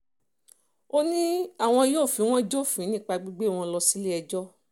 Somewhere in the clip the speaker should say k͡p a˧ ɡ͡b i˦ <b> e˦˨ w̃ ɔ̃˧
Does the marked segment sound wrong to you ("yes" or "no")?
yes